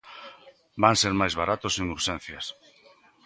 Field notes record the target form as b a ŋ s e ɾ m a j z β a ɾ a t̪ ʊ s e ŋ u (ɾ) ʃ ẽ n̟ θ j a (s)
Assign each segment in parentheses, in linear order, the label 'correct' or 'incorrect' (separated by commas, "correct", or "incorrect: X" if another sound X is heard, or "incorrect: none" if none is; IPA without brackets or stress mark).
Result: correct, correct